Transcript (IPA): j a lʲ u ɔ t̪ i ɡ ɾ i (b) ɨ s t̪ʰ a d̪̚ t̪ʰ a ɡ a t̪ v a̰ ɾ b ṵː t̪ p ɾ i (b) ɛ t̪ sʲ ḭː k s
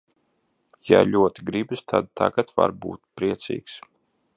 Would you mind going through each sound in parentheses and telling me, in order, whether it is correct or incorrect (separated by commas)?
correct, incorrect